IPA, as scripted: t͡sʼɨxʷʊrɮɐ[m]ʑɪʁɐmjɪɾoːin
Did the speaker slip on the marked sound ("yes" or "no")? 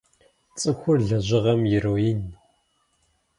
yes